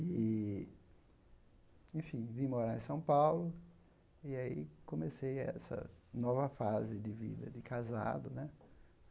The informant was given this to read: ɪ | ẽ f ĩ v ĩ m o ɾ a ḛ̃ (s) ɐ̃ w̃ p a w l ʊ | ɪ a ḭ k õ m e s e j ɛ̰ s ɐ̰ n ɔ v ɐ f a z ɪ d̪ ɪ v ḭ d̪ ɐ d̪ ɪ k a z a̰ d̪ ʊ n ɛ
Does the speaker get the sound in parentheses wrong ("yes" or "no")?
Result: no